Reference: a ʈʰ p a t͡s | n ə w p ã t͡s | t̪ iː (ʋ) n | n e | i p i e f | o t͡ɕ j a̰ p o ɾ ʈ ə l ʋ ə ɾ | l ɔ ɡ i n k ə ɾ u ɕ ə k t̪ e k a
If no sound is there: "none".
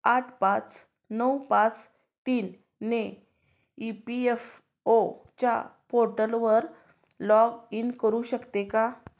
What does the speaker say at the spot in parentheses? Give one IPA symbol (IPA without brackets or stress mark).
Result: none